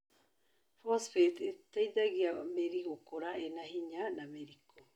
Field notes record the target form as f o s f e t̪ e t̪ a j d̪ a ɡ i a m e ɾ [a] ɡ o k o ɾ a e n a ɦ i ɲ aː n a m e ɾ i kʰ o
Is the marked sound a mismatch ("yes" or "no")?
yes